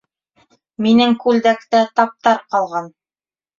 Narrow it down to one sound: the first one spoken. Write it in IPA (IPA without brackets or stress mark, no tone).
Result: m